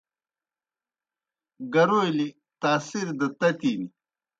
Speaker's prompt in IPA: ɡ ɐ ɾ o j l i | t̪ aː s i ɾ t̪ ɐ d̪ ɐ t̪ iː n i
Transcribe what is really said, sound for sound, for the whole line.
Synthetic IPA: ɡ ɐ ɾ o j l i | t̪ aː s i ɾ d̪ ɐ t̪ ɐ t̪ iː n i